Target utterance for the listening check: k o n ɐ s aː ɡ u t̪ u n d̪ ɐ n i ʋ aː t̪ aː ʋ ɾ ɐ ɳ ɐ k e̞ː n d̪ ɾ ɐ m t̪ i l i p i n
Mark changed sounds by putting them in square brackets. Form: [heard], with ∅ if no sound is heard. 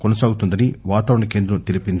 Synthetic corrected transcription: k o n ɐ s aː ɡ u t̪ u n d̪ ɐ n i ʋ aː t̪ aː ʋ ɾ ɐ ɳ ɐ k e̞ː n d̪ ɾ ɐ m t̪ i l i p i n